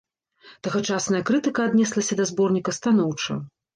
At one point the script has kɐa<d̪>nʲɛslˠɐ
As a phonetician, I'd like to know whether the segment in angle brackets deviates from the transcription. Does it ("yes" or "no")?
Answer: no